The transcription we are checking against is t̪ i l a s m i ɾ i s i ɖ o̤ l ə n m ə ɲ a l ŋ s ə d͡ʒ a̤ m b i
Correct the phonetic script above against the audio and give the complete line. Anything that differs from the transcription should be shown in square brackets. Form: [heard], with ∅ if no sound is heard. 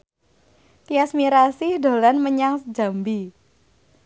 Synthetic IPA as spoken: t̪ i [∅] a s m i ɾ [a] s i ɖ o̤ l [a] n m ə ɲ a [∅] ŋ s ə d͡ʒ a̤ m b i